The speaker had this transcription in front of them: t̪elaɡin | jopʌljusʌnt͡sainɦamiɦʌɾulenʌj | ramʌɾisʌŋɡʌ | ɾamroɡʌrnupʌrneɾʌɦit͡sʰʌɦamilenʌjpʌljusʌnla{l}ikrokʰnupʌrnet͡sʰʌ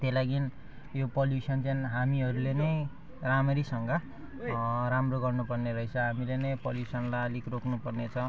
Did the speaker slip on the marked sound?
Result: no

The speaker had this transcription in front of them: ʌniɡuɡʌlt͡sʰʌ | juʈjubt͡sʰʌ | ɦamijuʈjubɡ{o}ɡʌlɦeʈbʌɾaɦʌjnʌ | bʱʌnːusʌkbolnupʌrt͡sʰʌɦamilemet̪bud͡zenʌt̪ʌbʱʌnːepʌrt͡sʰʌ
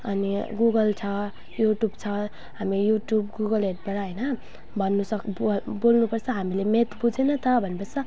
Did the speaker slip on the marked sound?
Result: yes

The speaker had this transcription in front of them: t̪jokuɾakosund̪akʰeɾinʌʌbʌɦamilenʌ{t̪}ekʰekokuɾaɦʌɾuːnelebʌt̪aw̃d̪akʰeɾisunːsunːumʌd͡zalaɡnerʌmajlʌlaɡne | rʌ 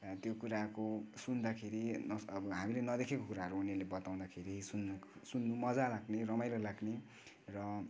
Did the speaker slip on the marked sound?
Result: yes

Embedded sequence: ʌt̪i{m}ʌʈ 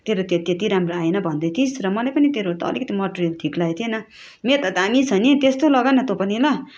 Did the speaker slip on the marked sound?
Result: no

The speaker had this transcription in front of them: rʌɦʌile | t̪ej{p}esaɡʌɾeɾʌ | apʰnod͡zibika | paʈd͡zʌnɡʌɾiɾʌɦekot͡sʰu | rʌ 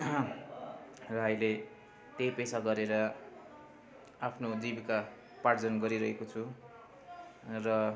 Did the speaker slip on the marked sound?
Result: no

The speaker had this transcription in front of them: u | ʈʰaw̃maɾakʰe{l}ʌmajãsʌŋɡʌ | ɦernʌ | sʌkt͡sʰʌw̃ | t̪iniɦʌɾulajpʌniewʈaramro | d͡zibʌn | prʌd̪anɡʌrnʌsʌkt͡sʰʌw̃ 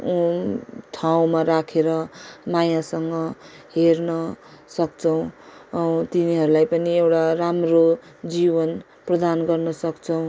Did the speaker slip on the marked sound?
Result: yes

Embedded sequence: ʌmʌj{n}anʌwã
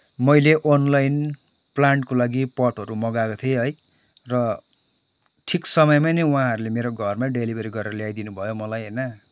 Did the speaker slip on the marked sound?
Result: yes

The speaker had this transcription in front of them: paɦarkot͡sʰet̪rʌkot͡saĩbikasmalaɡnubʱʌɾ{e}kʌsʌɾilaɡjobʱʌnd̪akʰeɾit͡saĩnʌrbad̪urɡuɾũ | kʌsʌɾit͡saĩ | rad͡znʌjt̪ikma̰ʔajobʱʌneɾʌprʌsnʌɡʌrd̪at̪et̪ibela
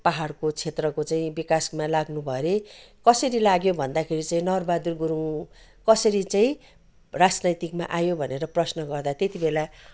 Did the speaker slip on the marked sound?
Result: no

